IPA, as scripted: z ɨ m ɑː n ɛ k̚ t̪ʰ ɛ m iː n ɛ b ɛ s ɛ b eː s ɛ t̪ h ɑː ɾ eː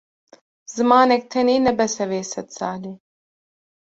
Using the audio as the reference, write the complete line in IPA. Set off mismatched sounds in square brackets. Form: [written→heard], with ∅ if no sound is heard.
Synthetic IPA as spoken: z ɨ m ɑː n ɛ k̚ t̪ʰ ɛ [m→n] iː n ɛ b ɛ s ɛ [b→v] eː s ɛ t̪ [h→s] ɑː [ɾ→l] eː